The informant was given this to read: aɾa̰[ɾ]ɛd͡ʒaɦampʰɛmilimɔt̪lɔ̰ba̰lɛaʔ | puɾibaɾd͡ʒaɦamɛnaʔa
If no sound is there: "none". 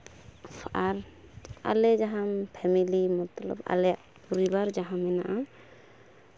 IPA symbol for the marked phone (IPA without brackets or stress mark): l